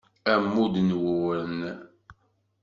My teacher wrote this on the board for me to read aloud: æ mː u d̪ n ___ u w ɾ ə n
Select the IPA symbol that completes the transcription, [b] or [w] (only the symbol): w